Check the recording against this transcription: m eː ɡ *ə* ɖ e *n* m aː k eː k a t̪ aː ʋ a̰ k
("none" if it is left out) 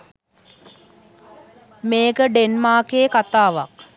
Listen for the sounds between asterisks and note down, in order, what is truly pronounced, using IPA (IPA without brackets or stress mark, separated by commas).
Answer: ə, n